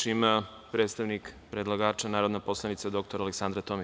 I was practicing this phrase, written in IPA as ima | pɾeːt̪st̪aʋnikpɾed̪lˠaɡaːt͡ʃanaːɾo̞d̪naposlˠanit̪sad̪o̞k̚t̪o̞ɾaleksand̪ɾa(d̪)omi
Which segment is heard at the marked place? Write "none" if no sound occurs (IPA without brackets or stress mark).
t̪